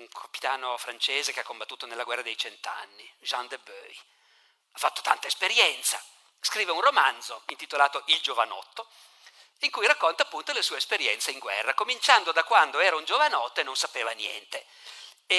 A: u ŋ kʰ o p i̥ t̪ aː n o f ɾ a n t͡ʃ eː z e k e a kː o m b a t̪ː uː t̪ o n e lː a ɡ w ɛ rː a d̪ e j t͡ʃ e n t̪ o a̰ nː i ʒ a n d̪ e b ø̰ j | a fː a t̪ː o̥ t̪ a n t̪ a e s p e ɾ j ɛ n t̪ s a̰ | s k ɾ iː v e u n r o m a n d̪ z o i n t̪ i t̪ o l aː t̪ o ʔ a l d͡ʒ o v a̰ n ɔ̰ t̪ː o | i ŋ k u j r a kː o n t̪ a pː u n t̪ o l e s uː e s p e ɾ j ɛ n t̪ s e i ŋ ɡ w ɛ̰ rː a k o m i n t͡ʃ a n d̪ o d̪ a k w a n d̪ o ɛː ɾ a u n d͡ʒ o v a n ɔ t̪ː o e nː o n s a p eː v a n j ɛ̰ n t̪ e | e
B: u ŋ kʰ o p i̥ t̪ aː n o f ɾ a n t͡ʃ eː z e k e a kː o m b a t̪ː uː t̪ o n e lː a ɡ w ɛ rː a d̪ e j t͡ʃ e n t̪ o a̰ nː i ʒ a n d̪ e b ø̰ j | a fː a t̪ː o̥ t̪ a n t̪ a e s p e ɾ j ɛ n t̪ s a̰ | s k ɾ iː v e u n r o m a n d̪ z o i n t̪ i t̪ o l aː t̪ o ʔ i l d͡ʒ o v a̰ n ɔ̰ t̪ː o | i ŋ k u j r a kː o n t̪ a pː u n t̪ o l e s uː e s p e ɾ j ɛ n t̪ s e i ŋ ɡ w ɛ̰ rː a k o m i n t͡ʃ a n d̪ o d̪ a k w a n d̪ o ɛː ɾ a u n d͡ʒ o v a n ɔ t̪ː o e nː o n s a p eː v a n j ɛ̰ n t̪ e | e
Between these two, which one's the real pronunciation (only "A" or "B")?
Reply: B